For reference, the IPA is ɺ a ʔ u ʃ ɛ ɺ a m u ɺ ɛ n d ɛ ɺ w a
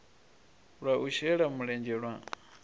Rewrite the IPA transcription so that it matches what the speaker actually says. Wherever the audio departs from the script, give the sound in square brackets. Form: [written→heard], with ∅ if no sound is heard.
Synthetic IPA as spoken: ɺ a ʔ u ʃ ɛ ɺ a m u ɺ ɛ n [d→d͡ʒ] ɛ ɺ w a